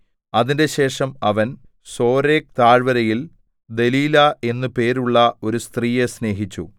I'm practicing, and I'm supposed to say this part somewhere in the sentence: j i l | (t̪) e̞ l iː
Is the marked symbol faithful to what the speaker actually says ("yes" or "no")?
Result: no